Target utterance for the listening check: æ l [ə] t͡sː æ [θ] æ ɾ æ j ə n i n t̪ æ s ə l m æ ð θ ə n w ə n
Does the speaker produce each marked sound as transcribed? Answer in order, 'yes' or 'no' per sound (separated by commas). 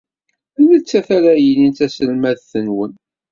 yes, yes